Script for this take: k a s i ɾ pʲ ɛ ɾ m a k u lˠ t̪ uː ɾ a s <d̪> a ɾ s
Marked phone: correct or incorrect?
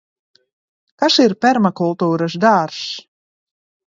correct